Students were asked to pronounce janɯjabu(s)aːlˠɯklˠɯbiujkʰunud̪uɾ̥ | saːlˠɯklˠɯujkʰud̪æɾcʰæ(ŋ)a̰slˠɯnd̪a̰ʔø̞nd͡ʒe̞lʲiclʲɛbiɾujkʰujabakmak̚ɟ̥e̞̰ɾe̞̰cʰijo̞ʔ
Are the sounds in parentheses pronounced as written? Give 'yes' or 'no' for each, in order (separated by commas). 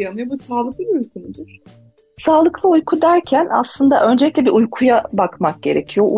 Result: yes, no